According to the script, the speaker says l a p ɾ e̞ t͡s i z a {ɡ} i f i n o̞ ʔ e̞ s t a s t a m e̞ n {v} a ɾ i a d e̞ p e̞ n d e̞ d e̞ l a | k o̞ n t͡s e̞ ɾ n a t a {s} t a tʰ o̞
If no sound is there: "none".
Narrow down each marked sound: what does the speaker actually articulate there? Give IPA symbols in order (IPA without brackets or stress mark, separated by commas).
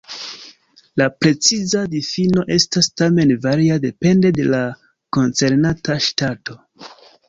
d, v, ʃ